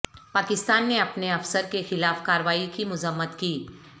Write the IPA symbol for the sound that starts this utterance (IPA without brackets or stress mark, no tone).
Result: p